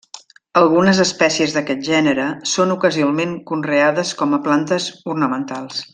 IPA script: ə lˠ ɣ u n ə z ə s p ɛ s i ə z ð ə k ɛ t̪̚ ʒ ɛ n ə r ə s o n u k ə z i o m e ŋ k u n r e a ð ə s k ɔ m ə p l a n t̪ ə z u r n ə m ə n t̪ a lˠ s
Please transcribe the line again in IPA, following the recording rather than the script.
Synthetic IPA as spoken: ə lˠ ɣ u n ə z ə s p ɛ s i ə z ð ə k ɛ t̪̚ ʒ ɛ n ə ɾ ə s o n u k ə z i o m e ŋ k u n r e a ð ə s k ɔ m ə p l a n t̪ ə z u r n ə m ə n t̪ a lˠ s